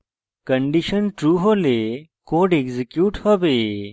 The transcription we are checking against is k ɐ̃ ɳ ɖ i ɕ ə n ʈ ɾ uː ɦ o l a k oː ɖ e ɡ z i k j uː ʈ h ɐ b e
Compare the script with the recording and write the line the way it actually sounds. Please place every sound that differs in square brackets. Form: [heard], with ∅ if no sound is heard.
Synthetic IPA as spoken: k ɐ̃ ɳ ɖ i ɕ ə n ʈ ɾ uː ɦ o l [e] k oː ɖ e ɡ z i k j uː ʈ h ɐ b e